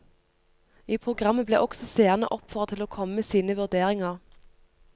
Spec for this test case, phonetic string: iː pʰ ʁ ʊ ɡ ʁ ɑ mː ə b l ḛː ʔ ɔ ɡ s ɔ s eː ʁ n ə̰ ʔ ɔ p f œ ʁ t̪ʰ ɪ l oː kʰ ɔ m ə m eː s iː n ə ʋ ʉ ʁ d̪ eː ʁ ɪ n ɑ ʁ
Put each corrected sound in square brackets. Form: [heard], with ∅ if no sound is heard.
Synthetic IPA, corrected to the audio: iː pʰ ʁ ʊ ɡ ʁ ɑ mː ə b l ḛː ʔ ɔ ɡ s ɔ s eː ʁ n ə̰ ʔ ɔ p f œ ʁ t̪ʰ ɪ l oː kʰ ɔ m ə m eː s iː n ə ʋ ʉ ʁ d̪ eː ʁ ɪ [ŋ] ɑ ʁ

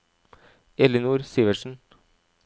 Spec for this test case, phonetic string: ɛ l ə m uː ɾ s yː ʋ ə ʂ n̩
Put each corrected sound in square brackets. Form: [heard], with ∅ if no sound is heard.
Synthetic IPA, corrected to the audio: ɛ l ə [n] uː ɾ s [iː] ʋ ə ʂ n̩

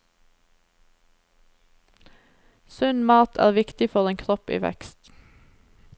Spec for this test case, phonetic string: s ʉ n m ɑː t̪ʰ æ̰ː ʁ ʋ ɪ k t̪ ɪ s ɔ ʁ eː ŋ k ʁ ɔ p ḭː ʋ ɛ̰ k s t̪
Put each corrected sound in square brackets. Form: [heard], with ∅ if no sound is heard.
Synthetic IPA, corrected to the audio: s ʉ n m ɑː t̪ʰ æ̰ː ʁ ʋ ɪ k t̪ ɪ [f] ɔ ʁ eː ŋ [kʰ] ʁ ɔ p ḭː ʋ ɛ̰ k s t̪

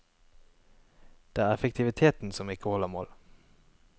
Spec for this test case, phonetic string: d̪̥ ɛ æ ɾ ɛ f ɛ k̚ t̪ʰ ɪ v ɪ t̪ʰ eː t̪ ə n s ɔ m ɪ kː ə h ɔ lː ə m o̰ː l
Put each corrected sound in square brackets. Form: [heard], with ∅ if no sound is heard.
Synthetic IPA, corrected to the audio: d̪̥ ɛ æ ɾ ɛ f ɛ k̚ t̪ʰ ɪ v ɪ t̪ʰ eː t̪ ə n s ɔ m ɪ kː ə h ɔ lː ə m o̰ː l

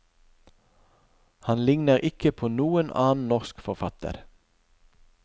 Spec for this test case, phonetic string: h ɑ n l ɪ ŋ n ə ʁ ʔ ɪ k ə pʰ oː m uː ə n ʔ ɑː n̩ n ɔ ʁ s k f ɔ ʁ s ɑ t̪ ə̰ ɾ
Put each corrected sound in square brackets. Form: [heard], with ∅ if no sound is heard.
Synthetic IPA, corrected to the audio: h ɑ n l ɪ ŋ n ə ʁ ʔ ɪ k ə pʰ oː [n] uː ə n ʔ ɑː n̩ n ɔ ʁ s k f ɔ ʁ [f] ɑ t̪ ə̰ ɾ

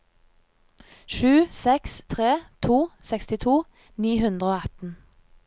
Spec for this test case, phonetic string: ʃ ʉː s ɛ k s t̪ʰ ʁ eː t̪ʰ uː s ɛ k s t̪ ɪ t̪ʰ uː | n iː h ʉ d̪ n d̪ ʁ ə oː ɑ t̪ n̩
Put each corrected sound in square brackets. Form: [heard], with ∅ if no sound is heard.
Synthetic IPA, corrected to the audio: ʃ ʉː s ɛ k s t̪ʰ ʁ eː t̪ʰ uː s ɛ k s t̪ ɪ t̪ʰ uː | n iː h ʉ [∅] n d̪ ʁ ə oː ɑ t̪ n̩

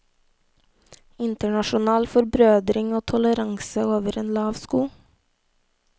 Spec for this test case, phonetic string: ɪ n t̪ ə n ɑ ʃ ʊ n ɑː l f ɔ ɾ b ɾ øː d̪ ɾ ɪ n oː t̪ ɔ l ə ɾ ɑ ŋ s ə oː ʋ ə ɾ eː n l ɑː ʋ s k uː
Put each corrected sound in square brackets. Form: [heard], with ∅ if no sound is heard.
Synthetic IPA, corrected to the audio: ɪ n t̪ ə [ɳ] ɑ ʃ ʊ n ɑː l f ɔ ɾ b ɾ øː d̪ ɾ ɪ [ŋ] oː [t̪ʰ] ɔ l ə ɾ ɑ ŋ s ə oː ʋ ə ɾ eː n l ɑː ʋ s k uː

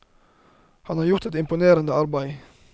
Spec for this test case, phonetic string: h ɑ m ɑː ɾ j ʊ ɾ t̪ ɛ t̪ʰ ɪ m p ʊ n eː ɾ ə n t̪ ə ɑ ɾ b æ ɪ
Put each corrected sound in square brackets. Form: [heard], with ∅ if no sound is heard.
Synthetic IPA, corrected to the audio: h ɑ [n] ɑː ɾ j ʊ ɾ t̪ ɛ [t̪] ɪ m p ʊ n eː ɾ ə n [d̪] ə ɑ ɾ b æ ɪ

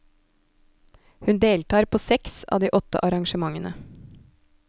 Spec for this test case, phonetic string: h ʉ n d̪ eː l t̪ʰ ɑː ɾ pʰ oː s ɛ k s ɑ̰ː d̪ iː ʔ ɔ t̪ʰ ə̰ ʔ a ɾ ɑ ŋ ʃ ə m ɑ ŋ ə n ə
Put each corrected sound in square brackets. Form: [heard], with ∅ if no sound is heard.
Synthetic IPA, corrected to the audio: h ʉ n d̪ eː l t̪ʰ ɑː ɾ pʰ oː s ɛ k s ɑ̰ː d̪ iː ʔ ɔ [t̪] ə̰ ʔ [ɑ] ɾ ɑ ŋ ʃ ə m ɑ ŋ ə n ə

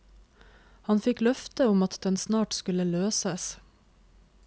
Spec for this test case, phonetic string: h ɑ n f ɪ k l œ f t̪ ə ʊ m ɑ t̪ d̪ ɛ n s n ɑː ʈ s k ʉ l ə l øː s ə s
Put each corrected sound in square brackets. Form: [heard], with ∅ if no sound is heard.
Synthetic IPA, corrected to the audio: h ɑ n f ɪ k l œ f t̪ ə ʊ m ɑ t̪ d̪ ɛ n s n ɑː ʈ s k ʉ l ə l øː s ə s

